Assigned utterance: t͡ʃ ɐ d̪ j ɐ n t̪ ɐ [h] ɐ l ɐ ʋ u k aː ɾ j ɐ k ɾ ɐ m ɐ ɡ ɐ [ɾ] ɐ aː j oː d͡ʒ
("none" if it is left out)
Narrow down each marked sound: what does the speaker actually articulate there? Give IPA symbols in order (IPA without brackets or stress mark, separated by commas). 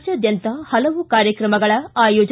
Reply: h, ɭ